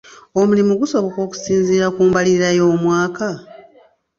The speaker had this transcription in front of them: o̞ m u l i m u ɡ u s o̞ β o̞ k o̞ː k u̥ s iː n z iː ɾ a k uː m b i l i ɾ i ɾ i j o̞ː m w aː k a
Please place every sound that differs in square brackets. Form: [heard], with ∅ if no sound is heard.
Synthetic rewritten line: o̞ m u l i m u ɡ u s o̞ β o̞ k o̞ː k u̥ s iː n z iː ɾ a k uː m b [a] l i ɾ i ɾ [a] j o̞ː m w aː k a